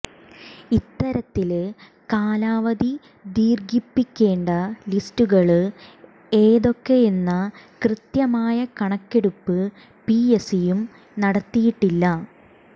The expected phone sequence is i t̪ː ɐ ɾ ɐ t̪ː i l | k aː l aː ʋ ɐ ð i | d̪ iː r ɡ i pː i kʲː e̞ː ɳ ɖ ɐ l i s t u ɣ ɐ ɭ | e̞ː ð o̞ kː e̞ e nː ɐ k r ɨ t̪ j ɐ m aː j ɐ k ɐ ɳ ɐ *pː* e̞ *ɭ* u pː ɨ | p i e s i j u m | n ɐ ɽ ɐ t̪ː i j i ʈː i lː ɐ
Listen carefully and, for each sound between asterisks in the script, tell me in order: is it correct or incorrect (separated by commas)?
incorrect, incorrect